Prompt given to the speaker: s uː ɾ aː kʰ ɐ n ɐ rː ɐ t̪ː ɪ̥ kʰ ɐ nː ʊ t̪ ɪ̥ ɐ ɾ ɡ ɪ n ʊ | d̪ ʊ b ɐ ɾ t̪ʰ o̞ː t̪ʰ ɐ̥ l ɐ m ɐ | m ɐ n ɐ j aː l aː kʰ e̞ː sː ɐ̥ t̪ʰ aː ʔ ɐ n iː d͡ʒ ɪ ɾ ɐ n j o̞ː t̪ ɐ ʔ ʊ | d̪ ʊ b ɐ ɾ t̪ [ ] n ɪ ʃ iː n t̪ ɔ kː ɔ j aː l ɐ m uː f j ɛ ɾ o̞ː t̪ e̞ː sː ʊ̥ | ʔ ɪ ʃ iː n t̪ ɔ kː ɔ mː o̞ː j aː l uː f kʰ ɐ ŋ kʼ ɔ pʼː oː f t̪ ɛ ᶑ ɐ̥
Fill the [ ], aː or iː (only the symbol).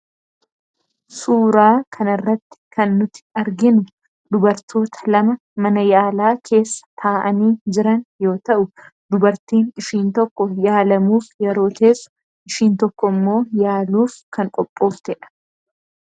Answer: iː